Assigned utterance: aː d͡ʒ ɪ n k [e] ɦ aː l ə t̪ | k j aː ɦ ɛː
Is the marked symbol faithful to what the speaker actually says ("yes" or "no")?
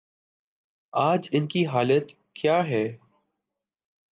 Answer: no